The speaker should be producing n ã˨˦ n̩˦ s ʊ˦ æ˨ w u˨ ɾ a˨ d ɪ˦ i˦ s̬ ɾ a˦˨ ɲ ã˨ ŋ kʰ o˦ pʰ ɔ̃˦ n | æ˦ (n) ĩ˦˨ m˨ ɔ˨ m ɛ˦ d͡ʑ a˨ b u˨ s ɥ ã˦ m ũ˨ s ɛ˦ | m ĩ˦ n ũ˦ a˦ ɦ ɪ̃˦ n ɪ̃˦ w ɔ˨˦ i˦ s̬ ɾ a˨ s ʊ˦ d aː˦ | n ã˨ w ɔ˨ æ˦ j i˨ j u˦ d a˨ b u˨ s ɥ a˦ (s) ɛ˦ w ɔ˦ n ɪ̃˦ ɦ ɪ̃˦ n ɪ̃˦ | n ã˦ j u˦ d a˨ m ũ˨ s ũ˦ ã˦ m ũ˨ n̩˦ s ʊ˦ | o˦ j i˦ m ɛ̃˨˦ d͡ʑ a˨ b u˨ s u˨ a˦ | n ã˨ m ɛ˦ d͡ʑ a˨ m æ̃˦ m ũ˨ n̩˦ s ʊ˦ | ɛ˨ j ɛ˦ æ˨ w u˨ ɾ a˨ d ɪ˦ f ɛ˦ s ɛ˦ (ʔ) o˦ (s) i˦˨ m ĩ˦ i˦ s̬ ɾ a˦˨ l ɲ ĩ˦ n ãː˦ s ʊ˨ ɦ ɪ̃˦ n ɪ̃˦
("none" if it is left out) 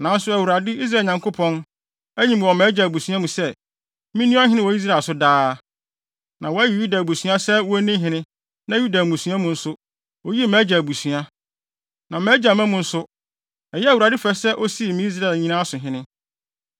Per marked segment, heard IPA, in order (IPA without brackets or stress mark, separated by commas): ɲ, s, ʔ, s